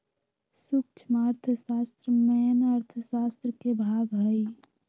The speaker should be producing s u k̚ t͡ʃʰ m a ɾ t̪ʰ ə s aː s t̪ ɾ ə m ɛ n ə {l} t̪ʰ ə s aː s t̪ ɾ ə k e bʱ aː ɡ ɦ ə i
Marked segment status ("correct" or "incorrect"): incorrect